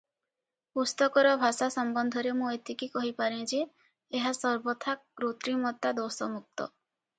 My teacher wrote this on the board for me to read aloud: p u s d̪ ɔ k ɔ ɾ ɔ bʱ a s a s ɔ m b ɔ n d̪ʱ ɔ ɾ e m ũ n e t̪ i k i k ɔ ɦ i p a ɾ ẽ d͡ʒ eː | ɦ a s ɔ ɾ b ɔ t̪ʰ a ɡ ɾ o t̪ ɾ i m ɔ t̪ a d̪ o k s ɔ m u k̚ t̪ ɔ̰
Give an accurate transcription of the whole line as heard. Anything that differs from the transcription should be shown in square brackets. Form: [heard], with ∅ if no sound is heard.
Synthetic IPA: p u s [t̪] ɔ k ɔ ɾ ɔ bʱ a s a s ɔ m b ɔ n d̪ʱ ɔ ɾ e m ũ [∅] e t̪ i k i k ɔ ɦ i p a ɾ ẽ d͡ʒ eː | ɦ a s ɔ ɾ b ɔ t̪ʰ a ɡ ɾ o t̪ ɾ i m ɔ t̪ a d̪ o [∅] s ɔ m u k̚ t̪ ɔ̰